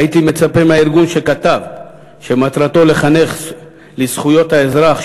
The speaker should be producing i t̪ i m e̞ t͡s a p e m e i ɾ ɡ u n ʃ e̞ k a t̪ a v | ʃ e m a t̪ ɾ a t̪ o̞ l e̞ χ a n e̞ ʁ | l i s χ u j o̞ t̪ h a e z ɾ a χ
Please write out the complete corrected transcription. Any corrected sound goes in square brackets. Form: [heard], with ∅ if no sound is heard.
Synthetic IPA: i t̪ i m e̞ t͡s a p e m [a] i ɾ ɡ u n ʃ e̞ k a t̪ a v | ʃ e m a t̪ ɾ a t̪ o̞ l e̞ χ a n e̞ [χ] | l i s χ u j o̞ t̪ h a e z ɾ a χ